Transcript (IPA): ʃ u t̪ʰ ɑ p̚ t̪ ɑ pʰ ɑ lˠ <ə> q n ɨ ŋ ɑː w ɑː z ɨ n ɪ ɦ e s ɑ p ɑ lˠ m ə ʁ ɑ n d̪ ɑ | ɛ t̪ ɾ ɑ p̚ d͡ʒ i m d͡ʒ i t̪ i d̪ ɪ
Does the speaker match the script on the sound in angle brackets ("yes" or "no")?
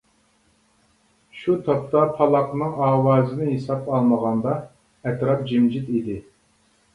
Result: no